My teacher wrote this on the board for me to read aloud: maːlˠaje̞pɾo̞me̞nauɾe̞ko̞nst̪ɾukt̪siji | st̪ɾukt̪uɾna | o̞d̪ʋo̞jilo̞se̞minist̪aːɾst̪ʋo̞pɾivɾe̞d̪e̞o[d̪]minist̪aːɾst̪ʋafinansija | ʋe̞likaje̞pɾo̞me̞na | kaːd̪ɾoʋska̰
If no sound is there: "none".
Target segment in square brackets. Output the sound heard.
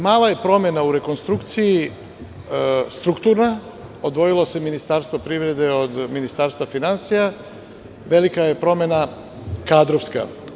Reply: d̪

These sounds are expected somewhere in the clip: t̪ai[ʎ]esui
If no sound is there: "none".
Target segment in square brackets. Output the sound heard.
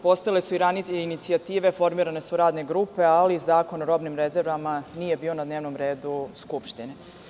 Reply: l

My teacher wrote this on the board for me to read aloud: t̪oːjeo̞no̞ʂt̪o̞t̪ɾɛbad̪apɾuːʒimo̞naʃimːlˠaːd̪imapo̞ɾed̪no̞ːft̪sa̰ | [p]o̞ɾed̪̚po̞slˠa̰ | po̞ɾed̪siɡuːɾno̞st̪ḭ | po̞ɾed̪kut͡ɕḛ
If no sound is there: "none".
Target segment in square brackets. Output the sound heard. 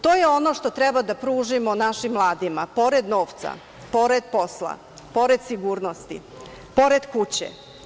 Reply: p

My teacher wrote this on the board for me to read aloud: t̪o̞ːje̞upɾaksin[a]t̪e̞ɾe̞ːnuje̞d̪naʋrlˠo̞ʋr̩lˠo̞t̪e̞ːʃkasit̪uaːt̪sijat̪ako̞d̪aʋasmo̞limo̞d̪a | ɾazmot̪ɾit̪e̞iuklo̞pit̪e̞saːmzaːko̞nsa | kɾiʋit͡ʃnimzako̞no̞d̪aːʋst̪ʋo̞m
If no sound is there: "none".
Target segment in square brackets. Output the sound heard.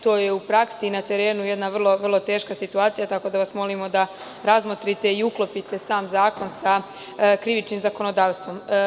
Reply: a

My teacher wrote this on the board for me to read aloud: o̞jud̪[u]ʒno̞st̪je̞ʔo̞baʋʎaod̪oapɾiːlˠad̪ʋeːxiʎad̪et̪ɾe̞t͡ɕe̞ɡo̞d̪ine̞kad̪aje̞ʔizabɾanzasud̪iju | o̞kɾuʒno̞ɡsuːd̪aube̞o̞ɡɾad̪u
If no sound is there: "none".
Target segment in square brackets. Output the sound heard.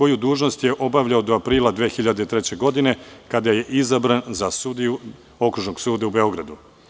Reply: uː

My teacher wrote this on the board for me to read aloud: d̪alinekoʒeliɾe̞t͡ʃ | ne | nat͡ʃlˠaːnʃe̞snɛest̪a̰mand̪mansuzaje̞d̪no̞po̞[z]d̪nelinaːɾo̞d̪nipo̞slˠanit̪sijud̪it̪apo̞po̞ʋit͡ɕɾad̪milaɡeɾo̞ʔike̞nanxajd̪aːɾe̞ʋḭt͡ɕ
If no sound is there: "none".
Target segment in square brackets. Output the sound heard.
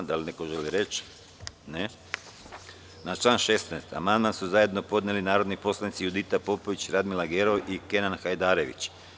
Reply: none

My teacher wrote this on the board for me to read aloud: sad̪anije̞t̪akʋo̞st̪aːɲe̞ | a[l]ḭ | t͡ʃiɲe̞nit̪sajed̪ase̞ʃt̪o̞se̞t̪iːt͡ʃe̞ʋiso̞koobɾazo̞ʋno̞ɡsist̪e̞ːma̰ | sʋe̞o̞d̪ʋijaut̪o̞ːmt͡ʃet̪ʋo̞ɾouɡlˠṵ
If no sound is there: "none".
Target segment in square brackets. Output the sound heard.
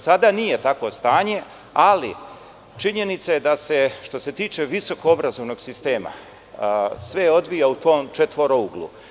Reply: l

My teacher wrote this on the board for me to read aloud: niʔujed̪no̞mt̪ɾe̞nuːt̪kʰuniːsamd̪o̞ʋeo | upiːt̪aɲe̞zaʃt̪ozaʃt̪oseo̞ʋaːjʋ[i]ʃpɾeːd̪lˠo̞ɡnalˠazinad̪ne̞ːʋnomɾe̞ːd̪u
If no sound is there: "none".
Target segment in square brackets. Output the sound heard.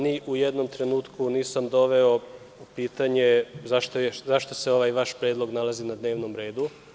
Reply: a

